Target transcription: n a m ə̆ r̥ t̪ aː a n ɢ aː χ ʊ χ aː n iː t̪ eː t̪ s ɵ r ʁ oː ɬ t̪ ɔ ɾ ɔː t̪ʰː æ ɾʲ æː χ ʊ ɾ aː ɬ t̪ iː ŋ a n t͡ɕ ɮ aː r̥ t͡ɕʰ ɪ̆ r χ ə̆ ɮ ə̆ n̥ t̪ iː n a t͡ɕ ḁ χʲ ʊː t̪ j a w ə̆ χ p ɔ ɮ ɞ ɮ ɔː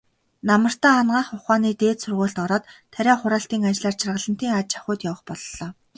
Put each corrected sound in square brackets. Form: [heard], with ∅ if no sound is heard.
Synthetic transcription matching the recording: n a m ə̆ r̥ t̪ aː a n ɢ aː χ ʊ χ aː n iː t̪ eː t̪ s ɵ r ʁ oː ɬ t̪ ɔ ɾ ɔː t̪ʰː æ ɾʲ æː χ ʊ ɾ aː ɬ t̪ iː ŋ a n t͡ɕ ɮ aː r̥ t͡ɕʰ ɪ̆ r [ʁ] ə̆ ɮ ə̆ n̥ t̪ iː [ŋ] a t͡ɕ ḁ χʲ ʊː t̪ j a w ə̆ χ p ɔ ɮ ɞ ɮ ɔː